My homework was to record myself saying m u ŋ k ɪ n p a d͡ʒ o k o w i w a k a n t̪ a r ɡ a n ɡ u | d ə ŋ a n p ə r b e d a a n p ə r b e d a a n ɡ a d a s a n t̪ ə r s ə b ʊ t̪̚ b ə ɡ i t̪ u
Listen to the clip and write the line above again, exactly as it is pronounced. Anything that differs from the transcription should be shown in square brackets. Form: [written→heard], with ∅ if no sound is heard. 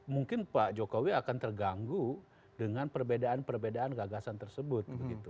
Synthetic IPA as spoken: m u ŋ k ɪ n p a d͡ʒ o k o w i [w→∅] a k a n t̪ [a→ə] r ɡ a [n→ŋ] ɡ u | d ə ŋ a n p ə r b e d a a n p ə r b e d a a n ɡ a [d→ɡ] a s a n t̪ ə r s ə b ʊ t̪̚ b ə ɡ i t̪ u

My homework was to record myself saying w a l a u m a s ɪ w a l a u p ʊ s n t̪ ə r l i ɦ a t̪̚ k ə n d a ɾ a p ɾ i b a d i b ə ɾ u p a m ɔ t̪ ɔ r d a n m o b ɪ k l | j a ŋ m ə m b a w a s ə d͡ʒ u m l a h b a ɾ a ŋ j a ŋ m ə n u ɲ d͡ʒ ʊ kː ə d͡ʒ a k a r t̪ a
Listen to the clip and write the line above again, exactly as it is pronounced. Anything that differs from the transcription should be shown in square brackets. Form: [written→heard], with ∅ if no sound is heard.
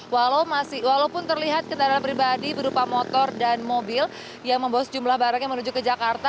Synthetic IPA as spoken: w a l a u m a s ɪ w a l a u p ʊ [s→∅] n t̪ ə r l i ɦ a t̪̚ k ə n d a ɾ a p ɾ i b a d i b ə ɾ u p a m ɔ t̪ ɔ r d a n m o b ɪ [k→∅] l | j a ŋ m ə m b a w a s ə d͡ʒ u m l a h b a ɾ a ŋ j a ŋ m ə n u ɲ d͡ʒ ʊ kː ə d͡ʒ a k a r t̪ a

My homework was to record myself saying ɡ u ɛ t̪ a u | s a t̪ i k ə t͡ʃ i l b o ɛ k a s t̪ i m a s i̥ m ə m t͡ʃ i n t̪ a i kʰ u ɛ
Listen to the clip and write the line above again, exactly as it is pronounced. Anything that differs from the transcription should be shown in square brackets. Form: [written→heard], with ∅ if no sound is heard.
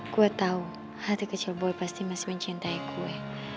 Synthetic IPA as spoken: [ɡ→k] u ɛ t̪ a u | [s→h] a t̪ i k ə t͡ʃ i l b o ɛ [k→p] a s t̪ i m a s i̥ m ə [m→ɲ] t͡ʃ i n t̪ a i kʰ u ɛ

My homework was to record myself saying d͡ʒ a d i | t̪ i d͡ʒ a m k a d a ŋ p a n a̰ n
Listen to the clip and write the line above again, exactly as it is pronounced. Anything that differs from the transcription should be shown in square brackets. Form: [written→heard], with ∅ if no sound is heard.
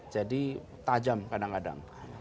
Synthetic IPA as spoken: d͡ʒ a d i | t̪ [i→a] d͡ʒ a m k a d a ŋ [p→k] a [n→d] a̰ [n→ŋ]

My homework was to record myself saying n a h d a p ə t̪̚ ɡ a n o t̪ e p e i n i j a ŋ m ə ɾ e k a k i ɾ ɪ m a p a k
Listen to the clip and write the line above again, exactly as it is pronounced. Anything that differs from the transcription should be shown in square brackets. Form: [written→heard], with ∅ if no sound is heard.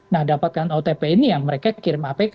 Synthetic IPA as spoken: n a h d a p [ə→a] t̪̚ [ɡ→k] a n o t̪ e p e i n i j a ŋ m ə ɾ e k a k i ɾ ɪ m a p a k

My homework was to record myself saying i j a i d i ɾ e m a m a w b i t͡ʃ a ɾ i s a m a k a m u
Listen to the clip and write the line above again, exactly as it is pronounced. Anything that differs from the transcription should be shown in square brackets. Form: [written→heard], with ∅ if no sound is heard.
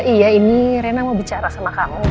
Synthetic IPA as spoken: i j a i [d→n] i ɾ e [m→n] a m a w b i t͡ʃ a ɾ [i→a] s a m a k a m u

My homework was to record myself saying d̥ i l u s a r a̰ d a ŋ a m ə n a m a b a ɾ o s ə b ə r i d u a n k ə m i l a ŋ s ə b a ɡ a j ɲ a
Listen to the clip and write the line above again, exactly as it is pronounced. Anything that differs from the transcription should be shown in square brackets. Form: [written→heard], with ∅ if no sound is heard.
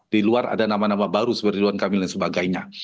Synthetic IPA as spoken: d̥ i l u [s→∅] a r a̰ d a [ŋ→n] a m [ə→a] n a m a b a ɾ [o→u] s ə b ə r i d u a n k [ə→a] m i l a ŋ s ə b a ɡ a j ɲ a

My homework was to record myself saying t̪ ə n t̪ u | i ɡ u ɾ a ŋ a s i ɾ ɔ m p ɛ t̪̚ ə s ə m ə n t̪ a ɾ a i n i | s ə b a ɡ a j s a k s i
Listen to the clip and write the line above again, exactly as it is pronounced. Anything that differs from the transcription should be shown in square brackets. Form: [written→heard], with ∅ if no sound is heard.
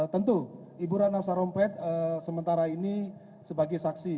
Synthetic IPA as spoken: t̪ ə n t̪ u | i [ɡ→b] u ɾ a [ŋ→n] a s [i→a] ɾ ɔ m p ɛ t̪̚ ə s ə m ə n t̪ a ɾ a i n i | s ə b a ɡ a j s a k s i

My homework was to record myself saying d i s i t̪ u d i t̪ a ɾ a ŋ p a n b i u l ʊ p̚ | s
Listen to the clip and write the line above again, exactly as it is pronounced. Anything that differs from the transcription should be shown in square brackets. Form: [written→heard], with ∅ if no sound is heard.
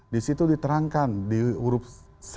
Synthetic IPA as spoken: d i s i t̪ u d i t̪ [a→ə] ɾ a ŋ [p→k] a n [b→d] i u [l→ɾ] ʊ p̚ | s

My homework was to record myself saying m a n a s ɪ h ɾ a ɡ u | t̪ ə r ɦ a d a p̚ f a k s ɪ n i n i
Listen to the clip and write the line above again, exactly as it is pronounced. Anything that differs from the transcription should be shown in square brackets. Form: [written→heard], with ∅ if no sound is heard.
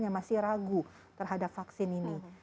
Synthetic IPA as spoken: [m→ɲ] a [n→m] a s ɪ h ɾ a ɡ u | t̪ ə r ɦ a d a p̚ f a k s ɪ n i n i

